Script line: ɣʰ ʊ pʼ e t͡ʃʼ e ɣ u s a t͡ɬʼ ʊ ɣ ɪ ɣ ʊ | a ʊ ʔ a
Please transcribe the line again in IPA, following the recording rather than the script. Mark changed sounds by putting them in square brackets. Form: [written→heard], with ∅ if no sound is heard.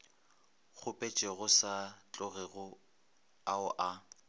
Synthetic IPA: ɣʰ ʊ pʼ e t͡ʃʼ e ɣ [u→ʊ] s a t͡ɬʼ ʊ ɣ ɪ ɣ ʊ | a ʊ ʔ a